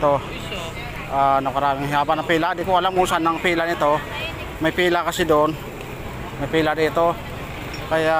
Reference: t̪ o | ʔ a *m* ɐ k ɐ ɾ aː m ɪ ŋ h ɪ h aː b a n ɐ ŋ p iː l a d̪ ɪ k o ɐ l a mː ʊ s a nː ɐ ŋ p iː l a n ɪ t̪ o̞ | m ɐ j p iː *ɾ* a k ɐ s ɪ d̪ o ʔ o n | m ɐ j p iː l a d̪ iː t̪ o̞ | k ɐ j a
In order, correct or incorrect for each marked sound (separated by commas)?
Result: incorrect, incorrect